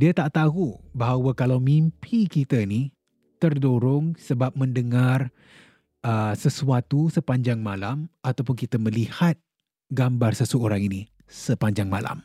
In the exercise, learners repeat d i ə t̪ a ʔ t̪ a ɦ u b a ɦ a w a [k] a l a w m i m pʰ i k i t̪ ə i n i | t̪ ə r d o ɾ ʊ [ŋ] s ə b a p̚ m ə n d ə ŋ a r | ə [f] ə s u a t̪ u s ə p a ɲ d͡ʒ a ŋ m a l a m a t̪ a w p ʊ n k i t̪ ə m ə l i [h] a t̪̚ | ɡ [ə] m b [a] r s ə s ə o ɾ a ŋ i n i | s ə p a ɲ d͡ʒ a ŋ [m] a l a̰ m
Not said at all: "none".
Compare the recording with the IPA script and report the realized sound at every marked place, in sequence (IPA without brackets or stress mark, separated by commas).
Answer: k, ŋ, s, h, a, a, m